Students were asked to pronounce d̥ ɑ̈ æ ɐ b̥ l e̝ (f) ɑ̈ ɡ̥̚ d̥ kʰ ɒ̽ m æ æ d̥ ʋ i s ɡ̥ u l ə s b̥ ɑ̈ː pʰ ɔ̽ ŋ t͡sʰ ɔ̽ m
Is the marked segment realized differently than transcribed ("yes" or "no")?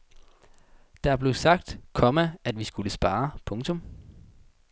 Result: yes